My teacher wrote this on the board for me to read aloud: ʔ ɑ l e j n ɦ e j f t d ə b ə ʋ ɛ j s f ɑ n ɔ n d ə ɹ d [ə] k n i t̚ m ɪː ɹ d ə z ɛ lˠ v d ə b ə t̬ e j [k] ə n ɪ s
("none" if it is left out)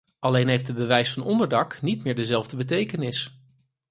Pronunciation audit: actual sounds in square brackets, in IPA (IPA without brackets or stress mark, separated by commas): ɑ, k